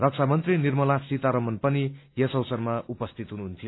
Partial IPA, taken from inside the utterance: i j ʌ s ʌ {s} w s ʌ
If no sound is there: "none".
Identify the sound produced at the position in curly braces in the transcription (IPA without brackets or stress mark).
none